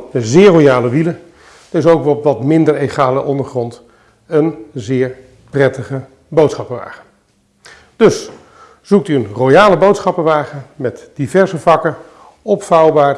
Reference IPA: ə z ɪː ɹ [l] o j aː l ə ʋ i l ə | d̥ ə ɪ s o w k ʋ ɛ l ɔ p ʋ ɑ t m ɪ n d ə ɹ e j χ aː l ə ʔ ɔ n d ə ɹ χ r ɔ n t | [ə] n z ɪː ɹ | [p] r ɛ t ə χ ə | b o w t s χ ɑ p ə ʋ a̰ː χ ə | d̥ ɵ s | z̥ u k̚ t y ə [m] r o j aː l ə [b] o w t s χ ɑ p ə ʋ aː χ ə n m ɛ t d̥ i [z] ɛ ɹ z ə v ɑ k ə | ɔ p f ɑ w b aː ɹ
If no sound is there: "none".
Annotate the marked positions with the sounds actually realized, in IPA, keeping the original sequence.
r, ə, p, n, b, v

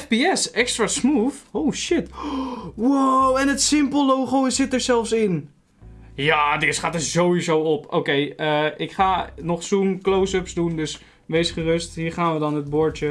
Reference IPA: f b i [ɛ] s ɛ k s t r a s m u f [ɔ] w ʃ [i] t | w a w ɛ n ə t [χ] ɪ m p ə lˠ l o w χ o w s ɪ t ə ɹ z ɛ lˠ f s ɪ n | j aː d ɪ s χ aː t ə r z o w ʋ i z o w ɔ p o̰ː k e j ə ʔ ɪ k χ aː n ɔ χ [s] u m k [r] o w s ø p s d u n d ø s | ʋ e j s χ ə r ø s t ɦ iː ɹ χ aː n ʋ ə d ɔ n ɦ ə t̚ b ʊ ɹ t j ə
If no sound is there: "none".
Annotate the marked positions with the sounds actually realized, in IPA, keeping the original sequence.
ɛ, o, ɪ, s, s, l

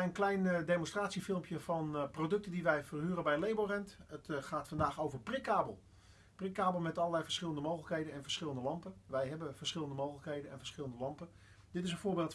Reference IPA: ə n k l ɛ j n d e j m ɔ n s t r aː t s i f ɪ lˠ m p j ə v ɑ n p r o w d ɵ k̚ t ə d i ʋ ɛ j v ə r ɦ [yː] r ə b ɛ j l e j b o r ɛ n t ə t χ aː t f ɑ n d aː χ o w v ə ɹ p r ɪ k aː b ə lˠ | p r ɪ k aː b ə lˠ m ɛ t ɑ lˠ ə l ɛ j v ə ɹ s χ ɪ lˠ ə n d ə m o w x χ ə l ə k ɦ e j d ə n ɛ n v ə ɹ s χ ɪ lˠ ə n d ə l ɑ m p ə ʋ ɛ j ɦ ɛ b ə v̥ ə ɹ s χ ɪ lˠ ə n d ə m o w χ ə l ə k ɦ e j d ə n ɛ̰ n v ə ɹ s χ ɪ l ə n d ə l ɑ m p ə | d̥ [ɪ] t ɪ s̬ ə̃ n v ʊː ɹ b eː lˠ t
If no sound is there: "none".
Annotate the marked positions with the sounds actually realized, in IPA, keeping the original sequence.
yː, ɪ

